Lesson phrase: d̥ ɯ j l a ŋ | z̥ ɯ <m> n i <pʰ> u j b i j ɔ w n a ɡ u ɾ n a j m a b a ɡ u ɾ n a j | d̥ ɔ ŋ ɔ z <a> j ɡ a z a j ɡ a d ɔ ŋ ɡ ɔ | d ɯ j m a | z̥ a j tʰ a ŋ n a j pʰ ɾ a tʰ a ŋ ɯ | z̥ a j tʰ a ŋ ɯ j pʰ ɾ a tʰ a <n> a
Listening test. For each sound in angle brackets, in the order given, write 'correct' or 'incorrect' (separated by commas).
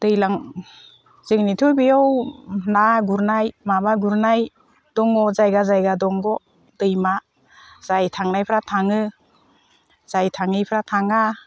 incorrect, incorrect, correct, incorrect